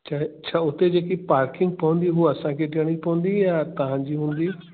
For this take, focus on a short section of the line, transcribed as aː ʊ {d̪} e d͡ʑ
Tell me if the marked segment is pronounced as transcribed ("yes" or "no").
no